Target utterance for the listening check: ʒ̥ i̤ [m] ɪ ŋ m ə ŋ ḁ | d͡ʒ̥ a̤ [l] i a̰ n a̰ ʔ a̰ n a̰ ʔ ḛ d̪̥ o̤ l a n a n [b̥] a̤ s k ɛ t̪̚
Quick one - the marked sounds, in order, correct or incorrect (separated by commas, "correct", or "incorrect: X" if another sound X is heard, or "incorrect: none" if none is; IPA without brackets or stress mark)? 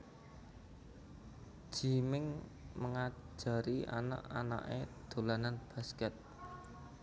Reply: correct, incorrect: ɾ, correct